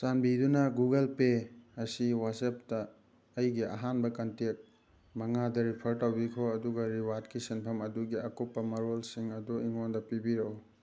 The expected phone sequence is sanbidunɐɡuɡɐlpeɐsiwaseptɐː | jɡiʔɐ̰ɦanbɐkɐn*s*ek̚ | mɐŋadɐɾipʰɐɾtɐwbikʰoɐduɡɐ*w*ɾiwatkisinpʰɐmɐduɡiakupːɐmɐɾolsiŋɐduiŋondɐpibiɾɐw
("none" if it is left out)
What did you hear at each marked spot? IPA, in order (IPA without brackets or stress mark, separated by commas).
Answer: t, none